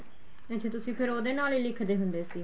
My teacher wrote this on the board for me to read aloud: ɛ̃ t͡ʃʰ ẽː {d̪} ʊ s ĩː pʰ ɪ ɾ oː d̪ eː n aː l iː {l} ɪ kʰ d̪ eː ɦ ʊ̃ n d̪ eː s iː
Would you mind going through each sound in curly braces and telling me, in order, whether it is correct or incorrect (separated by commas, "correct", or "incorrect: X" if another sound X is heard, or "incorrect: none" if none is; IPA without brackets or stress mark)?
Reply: incorrect: t̪, correct